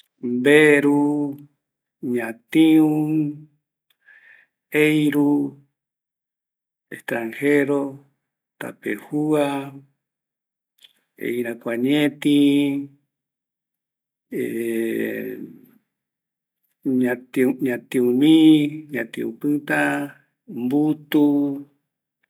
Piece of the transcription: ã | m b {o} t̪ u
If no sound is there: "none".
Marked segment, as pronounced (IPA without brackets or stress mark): u